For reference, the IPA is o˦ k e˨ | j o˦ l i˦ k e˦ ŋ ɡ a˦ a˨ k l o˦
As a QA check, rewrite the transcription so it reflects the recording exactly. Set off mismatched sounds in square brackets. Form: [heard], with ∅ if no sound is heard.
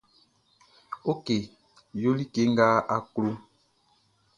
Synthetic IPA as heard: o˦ k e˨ | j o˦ l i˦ k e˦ ŋ ɡ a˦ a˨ k l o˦